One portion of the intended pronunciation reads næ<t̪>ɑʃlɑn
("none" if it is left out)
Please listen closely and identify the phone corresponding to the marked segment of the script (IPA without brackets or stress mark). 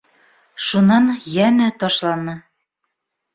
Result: t̪